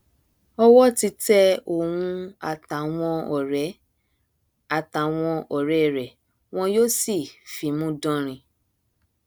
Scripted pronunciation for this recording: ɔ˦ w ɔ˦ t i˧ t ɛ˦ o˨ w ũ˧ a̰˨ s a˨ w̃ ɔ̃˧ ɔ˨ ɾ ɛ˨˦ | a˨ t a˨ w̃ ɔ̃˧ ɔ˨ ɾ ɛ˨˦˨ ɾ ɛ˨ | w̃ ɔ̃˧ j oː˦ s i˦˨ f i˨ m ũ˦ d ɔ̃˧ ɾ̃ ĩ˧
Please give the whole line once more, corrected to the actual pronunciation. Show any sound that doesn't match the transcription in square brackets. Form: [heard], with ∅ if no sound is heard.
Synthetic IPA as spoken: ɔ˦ w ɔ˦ t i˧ t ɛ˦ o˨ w ũ˧ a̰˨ [t] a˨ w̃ ɔ̃˧ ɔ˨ ɾ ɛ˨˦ | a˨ t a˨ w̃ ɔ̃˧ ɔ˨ ɾ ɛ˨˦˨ ɾ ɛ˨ | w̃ ɔ̃˧ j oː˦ s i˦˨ f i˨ m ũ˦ d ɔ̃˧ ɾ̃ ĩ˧